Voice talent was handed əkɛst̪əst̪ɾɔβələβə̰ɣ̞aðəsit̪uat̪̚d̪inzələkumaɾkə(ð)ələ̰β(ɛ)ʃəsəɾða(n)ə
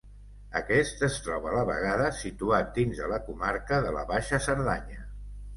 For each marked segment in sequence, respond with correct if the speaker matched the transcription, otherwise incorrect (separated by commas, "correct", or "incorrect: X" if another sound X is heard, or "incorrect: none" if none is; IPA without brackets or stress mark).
correct, incorrect: a, incorrect: ɲ